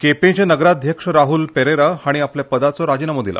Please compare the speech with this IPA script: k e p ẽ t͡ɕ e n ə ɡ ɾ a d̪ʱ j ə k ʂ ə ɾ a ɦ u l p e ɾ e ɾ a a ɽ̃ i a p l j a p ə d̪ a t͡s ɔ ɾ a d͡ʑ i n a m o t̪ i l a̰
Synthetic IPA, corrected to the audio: k e p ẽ t͡ɕ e n ə ɡ ɾ a d̪ʱ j ə k ʂ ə ɾ a ɦ u l p e ɾ e ɾ a a ɽ̃ i a p l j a p ə d̪ a t͡s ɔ ɾ a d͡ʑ i n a m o d̪ i l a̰